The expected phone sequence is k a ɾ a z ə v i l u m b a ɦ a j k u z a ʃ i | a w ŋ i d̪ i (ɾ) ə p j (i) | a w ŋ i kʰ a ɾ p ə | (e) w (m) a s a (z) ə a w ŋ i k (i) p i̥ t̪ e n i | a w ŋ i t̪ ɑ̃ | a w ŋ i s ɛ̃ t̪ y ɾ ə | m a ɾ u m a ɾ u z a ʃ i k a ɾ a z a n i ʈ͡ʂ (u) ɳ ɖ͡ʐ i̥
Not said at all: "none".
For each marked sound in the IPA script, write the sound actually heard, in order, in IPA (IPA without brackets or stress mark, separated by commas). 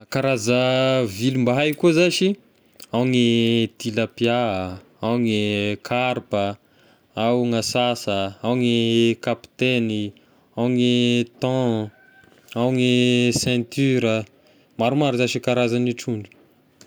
l, a, a, ŋ, s, a, u